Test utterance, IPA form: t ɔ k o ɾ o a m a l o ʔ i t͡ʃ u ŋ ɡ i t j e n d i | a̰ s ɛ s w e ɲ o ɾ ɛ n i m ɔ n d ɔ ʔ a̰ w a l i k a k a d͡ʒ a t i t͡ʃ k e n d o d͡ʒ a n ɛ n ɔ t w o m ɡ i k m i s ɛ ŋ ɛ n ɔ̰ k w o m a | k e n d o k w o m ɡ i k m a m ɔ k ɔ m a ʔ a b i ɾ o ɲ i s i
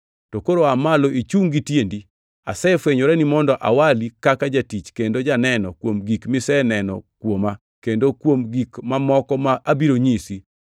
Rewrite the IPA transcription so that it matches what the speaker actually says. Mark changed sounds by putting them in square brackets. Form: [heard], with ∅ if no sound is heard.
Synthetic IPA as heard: t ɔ k o ɾ o a m a l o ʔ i t͡ʃ u ŋ ɡ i t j e n d i | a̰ s ɛ [f] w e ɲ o ɾ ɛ n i m ɔ n d ɔ ʔ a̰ w a l i k a k a d͡ʒ a t i t͡ʃ k e n d o d͡ʒ a n ɛ n ɔ [k] w o m ɡ i k m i s ɛ [n] ɛ n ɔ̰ k w o m a | k e n d o k w o m ɡ i k m a m ɔ k ɔ m a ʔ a b i ɾ o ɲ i s i